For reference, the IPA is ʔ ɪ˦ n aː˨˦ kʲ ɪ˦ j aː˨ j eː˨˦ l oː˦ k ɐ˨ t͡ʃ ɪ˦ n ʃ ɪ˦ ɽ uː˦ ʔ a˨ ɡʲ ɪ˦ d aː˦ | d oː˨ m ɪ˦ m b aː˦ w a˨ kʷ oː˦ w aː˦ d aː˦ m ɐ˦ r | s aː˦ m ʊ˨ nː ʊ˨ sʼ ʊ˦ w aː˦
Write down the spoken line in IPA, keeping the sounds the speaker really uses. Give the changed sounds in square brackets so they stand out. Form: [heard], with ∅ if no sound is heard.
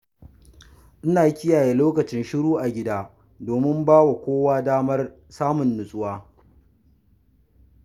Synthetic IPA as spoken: ʔ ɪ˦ n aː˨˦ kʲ ɪ˦ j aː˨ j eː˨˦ l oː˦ k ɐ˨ t͡ʃ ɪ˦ n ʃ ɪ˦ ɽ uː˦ ʔ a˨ ɡʲ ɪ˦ d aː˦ | d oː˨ m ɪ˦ m b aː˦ w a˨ kʷ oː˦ w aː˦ d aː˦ m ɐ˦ r | s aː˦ m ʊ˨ nː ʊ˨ sʼ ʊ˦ w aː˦

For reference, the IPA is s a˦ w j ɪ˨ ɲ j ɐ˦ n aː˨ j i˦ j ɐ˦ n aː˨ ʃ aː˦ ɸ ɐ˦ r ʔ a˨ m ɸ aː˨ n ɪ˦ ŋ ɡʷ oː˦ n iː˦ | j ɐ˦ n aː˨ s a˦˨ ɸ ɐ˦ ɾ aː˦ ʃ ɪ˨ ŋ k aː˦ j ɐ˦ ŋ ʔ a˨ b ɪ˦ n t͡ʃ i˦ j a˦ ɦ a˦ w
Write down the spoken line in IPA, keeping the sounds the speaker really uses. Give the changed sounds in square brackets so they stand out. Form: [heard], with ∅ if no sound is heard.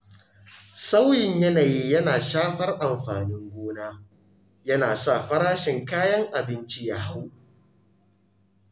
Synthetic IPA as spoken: s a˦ w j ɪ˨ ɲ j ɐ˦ n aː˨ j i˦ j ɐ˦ n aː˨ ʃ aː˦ ɸ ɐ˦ r ʔ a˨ m ɸ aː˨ n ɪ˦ ŋ ɡʷ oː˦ n [aː˦] | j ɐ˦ n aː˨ s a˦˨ ɸ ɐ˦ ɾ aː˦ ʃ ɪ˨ ŋ k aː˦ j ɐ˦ ŋ ʔ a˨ b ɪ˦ n t͡ʃ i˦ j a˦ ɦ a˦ w

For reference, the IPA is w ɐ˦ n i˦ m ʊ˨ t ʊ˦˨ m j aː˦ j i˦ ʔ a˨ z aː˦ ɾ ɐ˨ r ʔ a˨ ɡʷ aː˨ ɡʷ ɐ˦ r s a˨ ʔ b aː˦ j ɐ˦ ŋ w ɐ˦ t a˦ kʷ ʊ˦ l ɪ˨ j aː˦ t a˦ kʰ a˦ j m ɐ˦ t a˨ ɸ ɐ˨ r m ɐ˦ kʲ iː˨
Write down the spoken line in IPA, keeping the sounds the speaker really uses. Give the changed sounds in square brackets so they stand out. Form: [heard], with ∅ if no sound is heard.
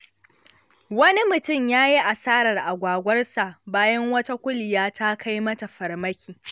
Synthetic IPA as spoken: w ɐ˦ n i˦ m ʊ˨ t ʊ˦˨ m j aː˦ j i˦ ʔ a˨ [s] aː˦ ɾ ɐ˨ r ʔ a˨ ɡʷ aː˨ ɡʷ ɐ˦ r s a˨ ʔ b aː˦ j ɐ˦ ŋ w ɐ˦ t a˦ kʷ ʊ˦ l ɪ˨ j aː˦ t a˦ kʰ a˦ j m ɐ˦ t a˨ ɸ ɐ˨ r m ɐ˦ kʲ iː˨

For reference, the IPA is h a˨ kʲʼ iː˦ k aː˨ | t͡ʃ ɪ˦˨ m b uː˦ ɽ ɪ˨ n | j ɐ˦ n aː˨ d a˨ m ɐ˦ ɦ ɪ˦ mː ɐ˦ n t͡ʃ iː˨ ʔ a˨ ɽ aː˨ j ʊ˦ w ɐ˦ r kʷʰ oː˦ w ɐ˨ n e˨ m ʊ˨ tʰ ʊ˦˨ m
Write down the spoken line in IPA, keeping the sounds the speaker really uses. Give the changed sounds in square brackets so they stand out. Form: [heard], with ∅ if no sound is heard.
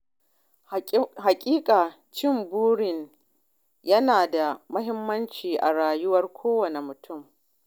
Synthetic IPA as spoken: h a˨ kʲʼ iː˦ [kʼ] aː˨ | t͡ʃ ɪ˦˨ m b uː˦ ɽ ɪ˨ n | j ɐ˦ n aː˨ d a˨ m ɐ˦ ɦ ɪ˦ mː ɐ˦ n t͡ʃ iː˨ ʔ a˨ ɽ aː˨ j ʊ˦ w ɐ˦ r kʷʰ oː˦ w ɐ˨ n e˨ m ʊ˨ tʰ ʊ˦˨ m

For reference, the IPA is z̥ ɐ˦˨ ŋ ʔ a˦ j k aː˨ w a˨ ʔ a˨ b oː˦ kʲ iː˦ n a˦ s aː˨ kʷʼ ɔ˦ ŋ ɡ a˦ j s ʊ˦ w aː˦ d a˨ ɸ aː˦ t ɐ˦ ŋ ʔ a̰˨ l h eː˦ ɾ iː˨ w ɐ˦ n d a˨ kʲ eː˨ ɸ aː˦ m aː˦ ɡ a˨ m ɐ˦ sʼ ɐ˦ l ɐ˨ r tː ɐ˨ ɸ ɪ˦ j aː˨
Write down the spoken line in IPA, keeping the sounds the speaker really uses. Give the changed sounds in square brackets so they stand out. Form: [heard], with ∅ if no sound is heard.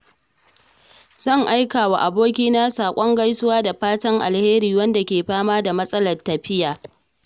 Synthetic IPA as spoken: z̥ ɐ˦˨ ŋ ʔ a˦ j k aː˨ w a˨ ʔ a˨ b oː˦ kʲ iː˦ n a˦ s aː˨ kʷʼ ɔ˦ ŋ ɡ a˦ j s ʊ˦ w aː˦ d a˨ ɸ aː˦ t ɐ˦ ŋ ʔ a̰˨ l h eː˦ ɾ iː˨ w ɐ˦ n d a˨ kʲ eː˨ ɸ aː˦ m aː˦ [d] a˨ m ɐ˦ sʼ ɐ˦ l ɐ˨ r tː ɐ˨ ɸ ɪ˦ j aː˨

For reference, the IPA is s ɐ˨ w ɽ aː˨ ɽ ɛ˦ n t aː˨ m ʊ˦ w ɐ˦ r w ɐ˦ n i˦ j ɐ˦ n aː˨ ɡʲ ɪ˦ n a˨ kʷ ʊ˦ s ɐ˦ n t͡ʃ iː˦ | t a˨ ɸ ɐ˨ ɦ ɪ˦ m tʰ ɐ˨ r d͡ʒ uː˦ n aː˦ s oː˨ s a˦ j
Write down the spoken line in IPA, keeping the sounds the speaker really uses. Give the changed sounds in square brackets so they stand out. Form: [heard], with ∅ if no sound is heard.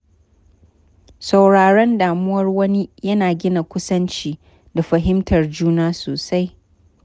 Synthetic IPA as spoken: s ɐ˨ w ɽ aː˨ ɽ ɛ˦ n [d] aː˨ m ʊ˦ w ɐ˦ r w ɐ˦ n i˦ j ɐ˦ n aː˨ ɡʲ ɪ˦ n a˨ kʷ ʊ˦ s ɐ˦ n t͡ʃ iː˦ | [d] a˨ ɸ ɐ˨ ɦ ɪ˦ m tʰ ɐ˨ r d͡ʒ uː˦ n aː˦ s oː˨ s a˦ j

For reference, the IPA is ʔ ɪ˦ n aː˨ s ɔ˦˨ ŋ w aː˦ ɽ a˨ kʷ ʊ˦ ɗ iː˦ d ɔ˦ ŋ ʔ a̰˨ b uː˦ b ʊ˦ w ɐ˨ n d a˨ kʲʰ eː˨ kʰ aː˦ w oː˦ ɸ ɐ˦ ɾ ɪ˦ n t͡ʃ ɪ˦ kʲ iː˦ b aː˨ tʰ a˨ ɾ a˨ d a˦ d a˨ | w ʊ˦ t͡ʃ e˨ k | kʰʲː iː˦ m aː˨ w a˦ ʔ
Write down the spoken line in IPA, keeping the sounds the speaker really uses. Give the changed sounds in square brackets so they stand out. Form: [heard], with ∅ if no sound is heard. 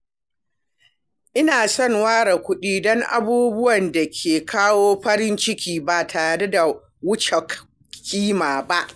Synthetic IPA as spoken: ʔ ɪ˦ n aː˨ s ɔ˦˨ ŋ w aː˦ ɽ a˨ kʷ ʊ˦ ɗ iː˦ d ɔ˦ ŋ ʔ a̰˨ b uː˦ b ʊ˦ w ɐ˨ n d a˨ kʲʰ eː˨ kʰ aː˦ w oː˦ ɸ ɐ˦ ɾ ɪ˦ n t͡ʃ ɪ˦ kʲ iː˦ b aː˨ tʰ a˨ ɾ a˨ d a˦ d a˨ | w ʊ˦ t͡ʃ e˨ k | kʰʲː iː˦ m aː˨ [b] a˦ ʔ

